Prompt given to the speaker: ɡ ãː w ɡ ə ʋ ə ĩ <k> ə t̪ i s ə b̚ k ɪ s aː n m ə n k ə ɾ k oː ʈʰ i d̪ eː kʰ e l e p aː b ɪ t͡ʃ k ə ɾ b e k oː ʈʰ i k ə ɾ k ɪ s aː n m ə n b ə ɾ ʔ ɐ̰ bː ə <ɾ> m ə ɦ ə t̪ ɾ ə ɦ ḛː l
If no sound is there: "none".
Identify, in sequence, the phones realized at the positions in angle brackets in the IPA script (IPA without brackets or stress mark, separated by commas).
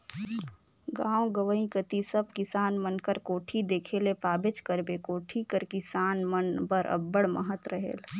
k, ɽ